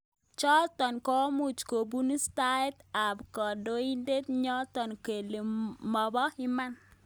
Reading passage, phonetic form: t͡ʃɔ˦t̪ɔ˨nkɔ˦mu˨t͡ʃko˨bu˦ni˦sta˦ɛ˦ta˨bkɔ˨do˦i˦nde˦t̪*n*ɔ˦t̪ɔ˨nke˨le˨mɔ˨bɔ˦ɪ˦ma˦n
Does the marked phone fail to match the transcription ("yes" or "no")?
yes